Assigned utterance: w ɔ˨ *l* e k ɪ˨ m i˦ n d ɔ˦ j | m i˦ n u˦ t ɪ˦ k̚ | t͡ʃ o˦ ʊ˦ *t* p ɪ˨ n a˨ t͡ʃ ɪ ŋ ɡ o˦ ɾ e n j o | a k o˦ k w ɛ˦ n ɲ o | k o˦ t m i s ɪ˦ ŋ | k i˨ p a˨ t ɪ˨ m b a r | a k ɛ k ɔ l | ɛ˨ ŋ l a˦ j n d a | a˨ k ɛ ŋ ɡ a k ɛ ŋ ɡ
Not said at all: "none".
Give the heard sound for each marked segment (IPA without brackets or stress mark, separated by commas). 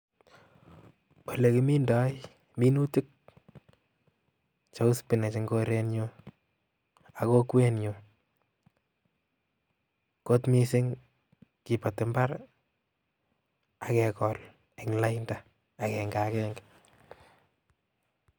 l, s